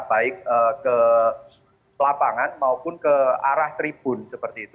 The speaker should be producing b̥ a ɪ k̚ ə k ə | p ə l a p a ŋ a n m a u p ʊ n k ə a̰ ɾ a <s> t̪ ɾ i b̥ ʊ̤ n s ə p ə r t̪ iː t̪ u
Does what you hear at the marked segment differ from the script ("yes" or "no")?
yes